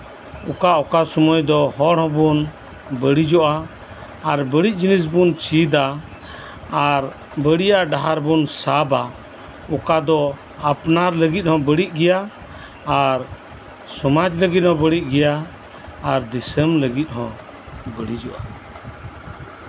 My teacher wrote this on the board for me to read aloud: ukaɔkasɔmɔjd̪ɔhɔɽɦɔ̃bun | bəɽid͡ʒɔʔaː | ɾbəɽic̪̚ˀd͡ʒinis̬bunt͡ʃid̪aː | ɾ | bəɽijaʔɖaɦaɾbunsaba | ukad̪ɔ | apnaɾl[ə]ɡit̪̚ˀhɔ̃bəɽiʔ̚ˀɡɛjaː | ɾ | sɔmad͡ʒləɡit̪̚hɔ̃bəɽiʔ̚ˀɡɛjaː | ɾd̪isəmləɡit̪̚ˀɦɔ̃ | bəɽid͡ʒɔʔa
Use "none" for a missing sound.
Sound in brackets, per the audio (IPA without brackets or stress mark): ə